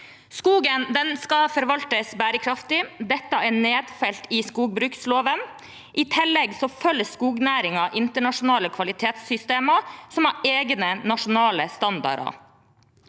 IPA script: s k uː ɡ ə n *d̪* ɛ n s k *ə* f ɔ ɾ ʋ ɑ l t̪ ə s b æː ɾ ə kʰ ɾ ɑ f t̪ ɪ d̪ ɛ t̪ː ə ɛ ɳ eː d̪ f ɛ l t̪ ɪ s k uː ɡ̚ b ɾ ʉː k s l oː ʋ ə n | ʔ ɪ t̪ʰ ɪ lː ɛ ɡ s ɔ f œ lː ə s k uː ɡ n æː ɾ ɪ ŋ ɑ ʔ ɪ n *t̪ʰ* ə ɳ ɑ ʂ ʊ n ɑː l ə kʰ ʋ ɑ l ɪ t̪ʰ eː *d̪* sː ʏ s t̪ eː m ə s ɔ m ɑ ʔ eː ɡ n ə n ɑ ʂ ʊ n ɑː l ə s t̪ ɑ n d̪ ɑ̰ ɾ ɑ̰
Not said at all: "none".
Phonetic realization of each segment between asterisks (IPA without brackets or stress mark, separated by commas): d̪, ɑ, t̪, t̪